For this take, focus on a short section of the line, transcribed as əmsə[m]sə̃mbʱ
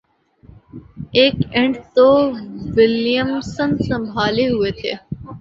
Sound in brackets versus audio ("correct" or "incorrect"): incorrect